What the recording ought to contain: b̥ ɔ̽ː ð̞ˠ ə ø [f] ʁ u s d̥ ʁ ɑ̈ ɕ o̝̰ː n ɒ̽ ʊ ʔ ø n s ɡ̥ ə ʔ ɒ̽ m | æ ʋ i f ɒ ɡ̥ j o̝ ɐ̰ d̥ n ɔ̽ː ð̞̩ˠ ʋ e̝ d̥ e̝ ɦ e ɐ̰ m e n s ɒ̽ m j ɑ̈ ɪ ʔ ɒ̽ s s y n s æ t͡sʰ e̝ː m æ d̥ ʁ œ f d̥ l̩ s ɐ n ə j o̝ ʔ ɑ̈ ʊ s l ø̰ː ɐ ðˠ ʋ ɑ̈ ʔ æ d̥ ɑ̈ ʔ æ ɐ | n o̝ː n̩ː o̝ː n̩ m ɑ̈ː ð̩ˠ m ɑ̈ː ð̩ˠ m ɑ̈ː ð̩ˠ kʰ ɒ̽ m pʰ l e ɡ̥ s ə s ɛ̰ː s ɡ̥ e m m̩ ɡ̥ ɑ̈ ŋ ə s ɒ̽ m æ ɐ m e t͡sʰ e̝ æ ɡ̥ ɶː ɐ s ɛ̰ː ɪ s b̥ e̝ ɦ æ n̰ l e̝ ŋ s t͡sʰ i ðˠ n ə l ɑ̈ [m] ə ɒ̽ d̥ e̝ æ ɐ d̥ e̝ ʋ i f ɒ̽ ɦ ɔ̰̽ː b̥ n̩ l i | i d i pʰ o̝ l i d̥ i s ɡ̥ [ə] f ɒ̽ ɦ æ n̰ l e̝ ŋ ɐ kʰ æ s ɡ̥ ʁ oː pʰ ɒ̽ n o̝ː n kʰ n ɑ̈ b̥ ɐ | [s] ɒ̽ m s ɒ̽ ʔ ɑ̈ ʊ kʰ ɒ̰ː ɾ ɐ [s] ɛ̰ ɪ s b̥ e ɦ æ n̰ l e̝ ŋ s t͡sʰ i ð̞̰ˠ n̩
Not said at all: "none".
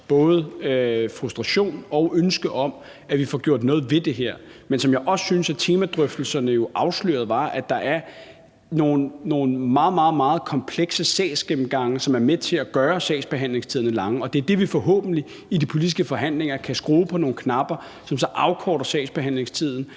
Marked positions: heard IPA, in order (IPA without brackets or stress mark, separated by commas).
f, ŋ, ə, s, s